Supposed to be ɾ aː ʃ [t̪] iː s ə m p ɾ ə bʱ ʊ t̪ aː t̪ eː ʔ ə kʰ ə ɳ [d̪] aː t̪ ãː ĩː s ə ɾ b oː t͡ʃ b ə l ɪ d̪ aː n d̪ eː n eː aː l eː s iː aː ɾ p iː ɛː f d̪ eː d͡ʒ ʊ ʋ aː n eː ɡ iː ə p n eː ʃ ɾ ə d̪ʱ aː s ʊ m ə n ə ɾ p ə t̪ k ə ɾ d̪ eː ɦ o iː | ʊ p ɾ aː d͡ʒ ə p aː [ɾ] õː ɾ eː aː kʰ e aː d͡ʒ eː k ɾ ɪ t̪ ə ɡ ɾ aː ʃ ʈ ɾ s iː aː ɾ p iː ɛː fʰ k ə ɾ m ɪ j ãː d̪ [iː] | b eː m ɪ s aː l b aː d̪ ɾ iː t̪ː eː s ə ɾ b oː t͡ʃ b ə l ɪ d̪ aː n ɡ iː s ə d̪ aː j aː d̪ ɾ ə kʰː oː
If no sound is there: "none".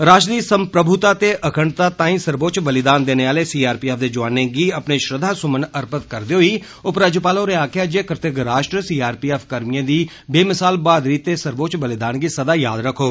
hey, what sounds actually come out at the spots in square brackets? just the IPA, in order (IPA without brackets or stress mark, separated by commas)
d̪, t̪, l, iː